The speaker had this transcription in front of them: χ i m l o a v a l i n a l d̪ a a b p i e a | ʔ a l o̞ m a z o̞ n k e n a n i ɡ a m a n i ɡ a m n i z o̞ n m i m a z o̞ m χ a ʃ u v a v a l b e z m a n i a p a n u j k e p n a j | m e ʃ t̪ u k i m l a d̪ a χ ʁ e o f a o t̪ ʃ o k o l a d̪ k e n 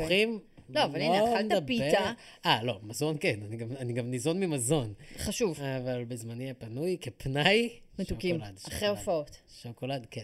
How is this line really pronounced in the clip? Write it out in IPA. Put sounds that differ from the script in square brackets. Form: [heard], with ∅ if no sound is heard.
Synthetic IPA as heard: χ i m l o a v a l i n a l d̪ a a b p i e a | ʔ a l o̞ m a z o̞ n k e n a n i ɡ a m a n i ɡ a m n i z o̞ n m i m a z o̞ [n] χ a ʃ u v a v a l b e z m a n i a p a n u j k e p n a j | m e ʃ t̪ u k i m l a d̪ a χ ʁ e o f a o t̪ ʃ o k o l a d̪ k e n